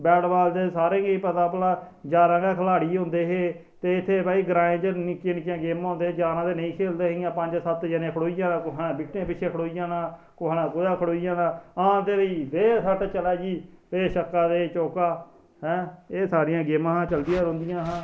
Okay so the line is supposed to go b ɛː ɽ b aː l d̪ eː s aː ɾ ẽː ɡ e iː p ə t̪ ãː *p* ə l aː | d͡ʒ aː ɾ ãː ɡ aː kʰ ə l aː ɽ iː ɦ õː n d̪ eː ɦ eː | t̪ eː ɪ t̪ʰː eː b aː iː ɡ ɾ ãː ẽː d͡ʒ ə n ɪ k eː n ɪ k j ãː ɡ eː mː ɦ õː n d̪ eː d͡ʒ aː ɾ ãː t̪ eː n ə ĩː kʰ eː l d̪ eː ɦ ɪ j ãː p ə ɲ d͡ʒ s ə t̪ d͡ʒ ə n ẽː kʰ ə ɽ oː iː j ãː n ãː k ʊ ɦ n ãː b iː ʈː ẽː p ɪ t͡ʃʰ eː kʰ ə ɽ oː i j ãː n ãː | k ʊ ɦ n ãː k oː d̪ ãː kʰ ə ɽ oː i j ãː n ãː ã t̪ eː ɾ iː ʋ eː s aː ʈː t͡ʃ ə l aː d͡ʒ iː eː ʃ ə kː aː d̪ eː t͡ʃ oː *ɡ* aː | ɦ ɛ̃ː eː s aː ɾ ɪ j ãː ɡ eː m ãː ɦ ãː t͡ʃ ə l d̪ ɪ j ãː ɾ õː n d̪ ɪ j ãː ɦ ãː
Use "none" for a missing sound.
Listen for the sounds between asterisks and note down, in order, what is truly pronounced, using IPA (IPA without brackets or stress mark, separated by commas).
p, k